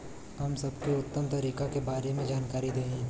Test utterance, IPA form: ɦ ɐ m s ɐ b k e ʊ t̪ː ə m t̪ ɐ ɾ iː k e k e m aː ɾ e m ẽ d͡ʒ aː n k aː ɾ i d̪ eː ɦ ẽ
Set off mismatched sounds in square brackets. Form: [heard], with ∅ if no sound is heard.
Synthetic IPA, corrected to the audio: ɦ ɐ m s ɐ b k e ʊ t̪ː ə m t̪ ɐ ɾ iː k [a] k e [b] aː ɾ e m ẽ d͡ʒ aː n k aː ɾ i d̪ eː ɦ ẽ

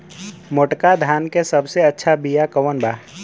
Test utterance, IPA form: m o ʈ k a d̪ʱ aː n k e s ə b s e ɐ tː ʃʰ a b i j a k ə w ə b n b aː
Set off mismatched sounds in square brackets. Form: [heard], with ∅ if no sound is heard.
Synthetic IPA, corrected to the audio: m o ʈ k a d̪ʱ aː n k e s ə b s e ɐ tː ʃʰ a b i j a k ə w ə [∅] n b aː

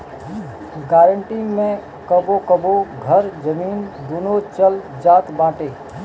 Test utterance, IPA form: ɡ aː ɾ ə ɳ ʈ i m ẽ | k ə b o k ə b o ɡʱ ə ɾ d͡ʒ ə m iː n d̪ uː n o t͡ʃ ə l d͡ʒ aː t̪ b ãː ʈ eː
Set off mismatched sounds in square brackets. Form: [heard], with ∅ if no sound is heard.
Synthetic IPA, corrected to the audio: ɡ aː ɾ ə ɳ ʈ i m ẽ | k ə b o k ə b o ɡʱ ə ɾ d͡ʒ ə m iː n d̪ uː n o t͡ʃ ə l d͡ʒ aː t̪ b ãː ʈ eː

